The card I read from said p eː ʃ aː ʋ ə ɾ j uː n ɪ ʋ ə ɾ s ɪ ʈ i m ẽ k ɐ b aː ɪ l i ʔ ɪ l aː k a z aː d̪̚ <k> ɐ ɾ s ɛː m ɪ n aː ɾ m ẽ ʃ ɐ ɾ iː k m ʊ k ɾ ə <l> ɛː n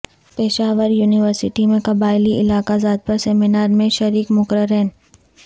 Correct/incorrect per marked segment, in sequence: incorrect, incorrect

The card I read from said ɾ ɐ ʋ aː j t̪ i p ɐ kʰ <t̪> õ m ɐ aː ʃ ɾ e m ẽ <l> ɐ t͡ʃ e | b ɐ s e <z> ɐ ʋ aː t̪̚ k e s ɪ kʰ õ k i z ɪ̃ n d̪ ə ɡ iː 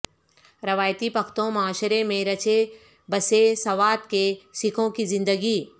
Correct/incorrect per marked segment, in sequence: correct, incorrect, incorrect

